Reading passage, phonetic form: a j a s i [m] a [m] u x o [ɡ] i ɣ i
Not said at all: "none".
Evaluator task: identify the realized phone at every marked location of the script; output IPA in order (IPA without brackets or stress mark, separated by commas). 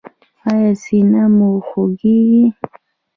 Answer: n, m, ɡ